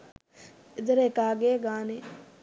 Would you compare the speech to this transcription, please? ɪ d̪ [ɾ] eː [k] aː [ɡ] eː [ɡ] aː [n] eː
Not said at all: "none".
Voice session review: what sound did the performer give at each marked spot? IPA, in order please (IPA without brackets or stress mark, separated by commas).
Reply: ɾ, k, ɡ, ɡ, n